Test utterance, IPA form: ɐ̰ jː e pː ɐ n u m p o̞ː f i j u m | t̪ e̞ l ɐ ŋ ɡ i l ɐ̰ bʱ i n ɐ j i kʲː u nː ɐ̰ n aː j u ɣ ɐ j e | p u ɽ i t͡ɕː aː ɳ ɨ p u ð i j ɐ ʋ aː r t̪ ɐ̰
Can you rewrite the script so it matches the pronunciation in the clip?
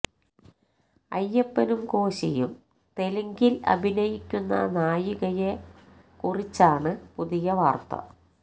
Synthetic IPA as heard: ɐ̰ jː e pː ɐ n u m k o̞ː ɕ i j u m | t̪ e̞ l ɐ ŋ ɡ i l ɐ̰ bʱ i n ɐ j i kʲː u nː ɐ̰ n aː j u ɣ ɐ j e | k u r i t͡ɕː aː ɳ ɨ p u ð i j ɐ ʋ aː r t̪ ɐ̰